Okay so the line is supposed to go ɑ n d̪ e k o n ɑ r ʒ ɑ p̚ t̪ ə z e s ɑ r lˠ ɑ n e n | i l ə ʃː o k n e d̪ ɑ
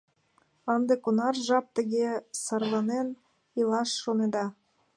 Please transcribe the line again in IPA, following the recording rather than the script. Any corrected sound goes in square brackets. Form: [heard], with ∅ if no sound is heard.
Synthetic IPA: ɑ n d̪ e k o n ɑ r ʒ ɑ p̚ t̪ ə [ɣ] e s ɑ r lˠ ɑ n e n | i l [ɑ] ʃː o [∅] n e d̪ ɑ